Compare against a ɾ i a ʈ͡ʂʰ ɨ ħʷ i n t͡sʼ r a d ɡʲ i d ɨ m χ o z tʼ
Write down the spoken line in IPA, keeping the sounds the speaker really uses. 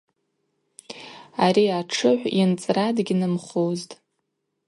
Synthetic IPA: a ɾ i a ʈ͡ʂʰ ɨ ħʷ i n t͡sʼ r a d ɡʲ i n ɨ m χ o z tʼ